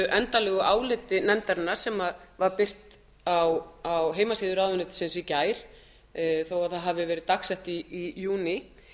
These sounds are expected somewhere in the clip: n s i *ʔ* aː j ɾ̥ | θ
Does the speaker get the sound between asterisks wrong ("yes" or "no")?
yes